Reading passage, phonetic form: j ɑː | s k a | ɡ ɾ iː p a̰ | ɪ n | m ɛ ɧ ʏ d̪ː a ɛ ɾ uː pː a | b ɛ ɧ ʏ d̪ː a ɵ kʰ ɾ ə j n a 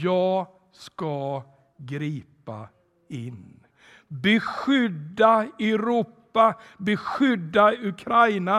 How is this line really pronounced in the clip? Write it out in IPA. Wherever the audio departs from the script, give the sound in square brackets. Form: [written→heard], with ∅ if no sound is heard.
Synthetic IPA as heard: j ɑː | s k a | ɡ ɾ iː p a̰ | ɪ n | [m→b] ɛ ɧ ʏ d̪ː a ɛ ɾ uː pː a | b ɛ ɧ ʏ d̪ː a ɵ kʰ ɾ [ə→a] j n a